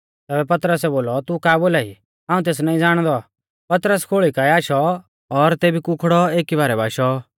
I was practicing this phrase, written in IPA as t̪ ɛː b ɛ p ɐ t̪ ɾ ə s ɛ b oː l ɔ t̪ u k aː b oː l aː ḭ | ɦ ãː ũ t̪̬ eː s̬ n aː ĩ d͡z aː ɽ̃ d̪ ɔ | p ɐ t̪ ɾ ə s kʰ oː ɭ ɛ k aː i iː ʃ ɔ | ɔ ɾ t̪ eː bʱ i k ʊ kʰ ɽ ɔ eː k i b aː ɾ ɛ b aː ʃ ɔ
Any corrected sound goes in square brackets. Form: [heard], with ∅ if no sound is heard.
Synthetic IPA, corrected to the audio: t̪ ɛː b ɛ p ɐ t̪ ɾ ə s ɛ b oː l ɔ t̪ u k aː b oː l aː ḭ | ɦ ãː ũ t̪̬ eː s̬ n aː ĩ d͡z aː ɽ̃ d̪ ɔ | p ɐ t̪ ɾ ə s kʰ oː ɭ [i] k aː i [aː] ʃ ɔ | ɔ ɾ t̪ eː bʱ i k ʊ kʰ ɽ ɔ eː k i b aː ɾ ɛ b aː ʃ ɔ